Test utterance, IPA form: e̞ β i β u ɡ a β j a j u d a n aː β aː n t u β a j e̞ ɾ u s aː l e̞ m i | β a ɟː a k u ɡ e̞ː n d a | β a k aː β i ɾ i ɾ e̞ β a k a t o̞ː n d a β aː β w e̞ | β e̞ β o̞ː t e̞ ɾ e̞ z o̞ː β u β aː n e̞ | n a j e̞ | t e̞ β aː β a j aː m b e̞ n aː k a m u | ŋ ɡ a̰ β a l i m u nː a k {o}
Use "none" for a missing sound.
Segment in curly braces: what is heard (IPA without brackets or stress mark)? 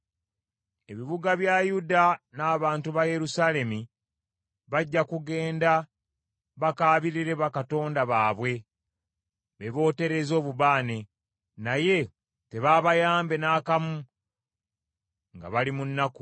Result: u